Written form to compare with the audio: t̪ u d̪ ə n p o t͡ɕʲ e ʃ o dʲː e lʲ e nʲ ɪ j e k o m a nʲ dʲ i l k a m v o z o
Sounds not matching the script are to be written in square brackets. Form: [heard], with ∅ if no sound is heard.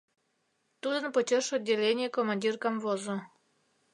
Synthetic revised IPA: t̪ u d̪ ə n p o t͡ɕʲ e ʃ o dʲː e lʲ e nʲ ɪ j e k o m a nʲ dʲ i [r] k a m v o z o